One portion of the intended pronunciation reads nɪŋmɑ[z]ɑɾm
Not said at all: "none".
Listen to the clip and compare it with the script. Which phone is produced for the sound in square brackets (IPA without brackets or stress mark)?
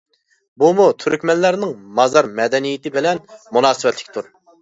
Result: z